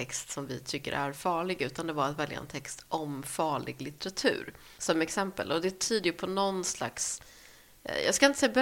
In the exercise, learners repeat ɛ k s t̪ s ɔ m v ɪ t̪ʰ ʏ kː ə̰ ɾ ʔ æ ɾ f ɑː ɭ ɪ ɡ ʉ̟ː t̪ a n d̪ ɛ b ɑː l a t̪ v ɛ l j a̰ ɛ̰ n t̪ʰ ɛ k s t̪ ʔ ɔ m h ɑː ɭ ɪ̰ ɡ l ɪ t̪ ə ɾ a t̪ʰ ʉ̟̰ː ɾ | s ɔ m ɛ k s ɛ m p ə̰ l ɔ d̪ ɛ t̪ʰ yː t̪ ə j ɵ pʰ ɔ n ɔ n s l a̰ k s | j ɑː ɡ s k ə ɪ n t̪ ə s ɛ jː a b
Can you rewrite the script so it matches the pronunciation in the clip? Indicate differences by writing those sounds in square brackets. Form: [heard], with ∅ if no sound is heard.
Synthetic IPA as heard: ɛ k s t̪ s ɔ m v ɪ t̪ʰ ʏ kː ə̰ ɾ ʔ æ ɾ f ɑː ɭ ɪ ɡ ʉ̟ː t̪ a n d̪ ɛ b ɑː [ɾ] a t̪ v ɛ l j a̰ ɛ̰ n t̪ʰ ɛ k s t̪ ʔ ɔ m [f] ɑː ɭ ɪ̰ ɡ l ɪ t̪ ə ɾ a t̪ʰ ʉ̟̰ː ɾ | s ɔ m ɛ k s ɛ m p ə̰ l ɔ d̪ ɛ t̪ʰ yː [d̪] ə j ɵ pʰ ɔ n ɔ n s l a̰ k s | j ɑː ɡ s k [a] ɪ n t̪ ə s ɛ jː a b